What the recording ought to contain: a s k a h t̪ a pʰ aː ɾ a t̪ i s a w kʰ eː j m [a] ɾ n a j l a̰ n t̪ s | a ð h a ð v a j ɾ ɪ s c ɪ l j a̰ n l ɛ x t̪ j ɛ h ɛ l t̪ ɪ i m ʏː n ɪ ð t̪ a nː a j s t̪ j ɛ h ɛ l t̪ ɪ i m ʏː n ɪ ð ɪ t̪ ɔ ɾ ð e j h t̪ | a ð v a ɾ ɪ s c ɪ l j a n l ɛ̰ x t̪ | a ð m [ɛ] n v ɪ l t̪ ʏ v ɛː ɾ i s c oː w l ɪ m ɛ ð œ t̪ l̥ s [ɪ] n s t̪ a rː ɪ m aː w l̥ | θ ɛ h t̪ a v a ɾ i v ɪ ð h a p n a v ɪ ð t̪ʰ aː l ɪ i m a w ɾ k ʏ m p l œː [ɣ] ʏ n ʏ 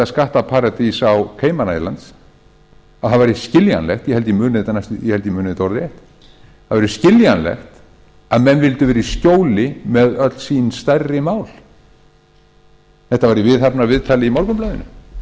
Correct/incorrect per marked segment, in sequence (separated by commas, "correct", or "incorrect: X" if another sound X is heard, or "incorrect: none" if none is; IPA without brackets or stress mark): correct, correct, incorrect: i, incorrect: ð